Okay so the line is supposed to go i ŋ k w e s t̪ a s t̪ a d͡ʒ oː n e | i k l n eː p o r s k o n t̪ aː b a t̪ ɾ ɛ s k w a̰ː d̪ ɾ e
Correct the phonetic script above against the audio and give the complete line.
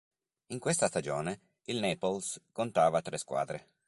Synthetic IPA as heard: i ŋ k w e s t̪ a s t̪ a d͡ʒ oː n e | i l n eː p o l s k o n t̪ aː v a t̪ ɾ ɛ s k w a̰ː d̪ ɾ e